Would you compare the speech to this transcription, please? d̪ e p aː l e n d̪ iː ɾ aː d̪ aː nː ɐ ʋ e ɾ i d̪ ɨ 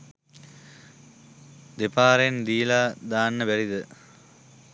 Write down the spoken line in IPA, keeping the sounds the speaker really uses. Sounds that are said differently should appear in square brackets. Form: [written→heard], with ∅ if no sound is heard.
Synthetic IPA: d̪ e p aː [l→ɾ] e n d̪ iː [ɾ→l] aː d̪ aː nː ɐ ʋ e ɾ i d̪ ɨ